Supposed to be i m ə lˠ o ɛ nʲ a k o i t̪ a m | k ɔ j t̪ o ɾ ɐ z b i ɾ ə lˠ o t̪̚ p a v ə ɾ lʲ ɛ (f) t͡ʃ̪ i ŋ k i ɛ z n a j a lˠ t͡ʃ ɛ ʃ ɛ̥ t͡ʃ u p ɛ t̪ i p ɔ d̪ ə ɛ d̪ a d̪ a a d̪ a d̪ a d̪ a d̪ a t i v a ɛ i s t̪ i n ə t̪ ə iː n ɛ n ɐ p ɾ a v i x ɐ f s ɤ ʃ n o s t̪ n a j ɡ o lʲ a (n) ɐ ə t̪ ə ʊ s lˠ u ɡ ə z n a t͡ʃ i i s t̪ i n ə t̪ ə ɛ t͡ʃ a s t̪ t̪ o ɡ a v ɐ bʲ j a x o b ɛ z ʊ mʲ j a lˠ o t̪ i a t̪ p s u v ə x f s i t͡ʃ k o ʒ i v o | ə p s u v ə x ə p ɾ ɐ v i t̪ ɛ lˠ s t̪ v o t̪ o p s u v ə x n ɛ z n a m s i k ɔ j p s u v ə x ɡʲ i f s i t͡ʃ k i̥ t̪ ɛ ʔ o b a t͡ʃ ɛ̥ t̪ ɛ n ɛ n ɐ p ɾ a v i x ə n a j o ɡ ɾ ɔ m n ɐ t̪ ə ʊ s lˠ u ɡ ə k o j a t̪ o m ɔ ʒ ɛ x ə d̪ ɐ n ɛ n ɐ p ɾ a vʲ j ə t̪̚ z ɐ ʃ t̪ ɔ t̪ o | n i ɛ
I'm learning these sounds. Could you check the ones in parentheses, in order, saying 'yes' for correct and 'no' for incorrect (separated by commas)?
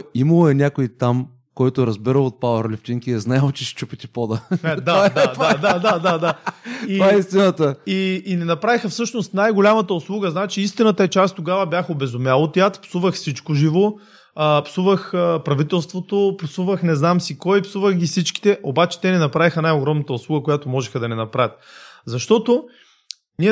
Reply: yes, no